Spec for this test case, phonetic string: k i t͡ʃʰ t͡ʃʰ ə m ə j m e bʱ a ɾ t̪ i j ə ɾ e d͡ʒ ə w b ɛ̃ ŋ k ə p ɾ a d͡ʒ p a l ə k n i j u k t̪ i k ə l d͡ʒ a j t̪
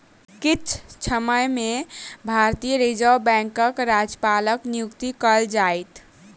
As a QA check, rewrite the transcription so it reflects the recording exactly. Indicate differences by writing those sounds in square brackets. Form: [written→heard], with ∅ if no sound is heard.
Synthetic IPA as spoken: k i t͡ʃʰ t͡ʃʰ ə m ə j m e bʱ a ɾ t̪ i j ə ɾ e d͡ʒ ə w b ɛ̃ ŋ k ə [p→k] ɾ a d͡ʒ p a l ə k n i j u k t̪ i k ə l d͡ʒ a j t̪